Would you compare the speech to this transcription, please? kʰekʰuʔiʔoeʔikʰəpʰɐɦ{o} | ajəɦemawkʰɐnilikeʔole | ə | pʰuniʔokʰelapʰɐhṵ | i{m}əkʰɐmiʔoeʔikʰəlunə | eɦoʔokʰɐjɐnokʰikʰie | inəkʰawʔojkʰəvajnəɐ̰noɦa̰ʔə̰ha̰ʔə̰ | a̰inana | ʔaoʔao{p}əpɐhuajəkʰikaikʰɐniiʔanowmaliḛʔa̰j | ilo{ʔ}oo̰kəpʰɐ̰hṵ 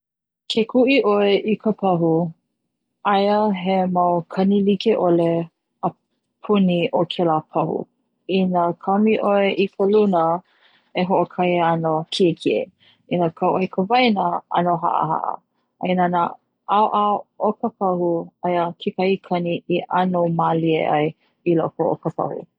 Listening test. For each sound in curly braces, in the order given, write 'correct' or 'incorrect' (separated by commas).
incorrect, incorrect, incorrect, incorrect